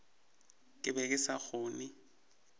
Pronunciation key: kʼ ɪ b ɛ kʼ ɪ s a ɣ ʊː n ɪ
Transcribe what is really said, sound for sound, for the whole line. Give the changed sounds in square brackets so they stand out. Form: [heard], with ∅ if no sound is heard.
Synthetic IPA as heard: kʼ ɪ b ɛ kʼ ɪ s a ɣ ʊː n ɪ